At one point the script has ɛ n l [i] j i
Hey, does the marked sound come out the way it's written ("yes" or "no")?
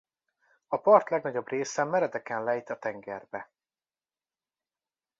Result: no